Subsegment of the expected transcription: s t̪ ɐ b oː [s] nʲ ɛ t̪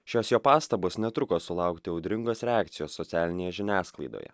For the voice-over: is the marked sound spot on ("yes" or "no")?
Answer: yes